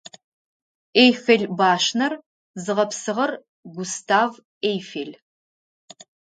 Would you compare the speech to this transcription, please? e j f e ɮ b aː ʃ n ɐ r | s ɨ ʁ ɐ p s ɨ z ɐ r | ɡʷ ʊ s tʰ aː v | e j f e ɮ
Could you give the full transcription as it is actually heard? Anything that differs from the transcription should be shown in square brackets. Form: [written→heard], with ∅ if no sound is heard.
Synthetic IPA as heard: e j f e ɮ b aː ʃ n ɐ r | [s→z] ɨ ʁ ɐ p s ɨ [z→ʁ] ɐ r | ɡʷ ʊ s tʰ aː v | e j f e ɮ